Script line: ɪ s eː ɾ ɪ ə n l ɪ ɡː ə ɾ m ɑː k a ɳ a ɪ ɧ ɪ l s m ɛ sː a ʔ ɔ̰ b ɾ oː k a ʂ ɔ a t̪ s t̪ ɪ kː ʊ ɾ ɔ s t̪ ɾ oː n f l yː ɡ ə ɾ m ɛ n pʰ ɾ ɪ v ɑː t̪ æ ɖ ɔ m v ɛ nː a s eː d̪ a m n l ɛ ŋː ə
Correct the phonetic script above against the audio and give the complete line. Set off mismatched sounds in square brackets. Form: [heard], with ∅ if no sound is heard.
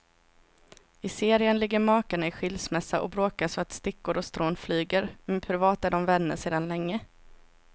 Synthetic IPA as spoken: ɪ s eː ɾ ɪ ə n l ɪ ɡː ə ɾ m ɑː k a ɳ a ɪ ɧ ɪ l s m ɛ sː a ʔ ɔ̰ b ɾ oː k a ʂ ɔ a t̪ s t̪ ɪ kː ʊ ɾ ɔ s t̪ ɾ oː n f l yː ɡ ə ɾ m ɛ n pʰ ɾ ɪ v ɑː t̪ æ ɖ ɔ m v ɛ nː [ə] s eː d̪ a [∅] n l ɛ ŋː ə